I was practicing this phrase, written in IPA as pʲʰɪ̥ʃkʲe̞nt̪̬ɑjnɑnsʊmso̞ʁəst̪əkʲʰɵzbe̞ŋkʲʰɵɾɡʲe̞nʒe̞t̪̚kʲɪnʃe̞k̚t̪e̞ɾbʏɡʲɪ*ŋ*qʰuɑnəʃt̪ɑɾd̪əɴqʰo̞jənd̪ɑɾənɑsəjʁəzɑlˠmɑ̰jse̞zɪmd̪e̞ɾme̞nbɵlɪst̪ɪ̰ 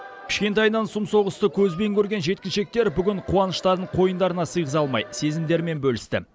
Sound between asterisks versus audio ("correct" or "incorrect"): incorrect